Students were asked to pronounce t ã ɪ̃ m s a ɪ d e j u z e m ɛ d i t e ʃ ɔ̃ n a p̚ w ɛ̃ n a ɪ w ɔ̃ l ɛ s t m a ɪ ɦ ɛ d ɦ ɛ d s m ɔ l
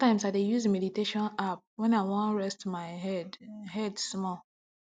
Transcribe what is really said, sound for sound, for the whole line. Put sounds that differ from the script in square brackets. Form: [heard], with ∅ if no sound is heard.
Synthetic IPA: t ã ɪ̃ m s a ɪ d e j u z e m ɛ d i t e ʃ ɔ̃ n a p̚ w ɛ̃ n a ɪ w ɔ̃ [ɹ] ɛ s t m a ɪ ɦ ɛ d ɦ ɛ d s m ɔ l